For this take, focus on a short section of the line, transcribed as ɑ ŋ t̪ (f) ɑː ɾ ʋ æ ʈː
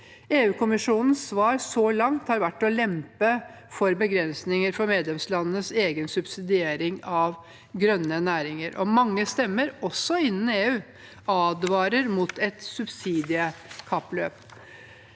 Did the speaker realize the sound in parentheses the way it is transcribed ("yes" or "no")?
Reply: no